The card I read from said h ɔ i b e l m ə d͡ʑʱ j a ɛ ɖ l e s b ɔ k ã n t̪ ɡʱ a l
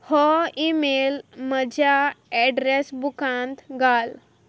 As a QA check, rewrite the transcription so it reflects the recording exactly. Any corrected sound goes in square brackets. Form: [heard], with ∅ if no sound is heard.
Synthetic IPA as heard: h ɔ i [m] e l m ə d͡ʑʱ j a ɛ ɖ [ɾ] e s b [u] k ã n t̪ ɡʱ a l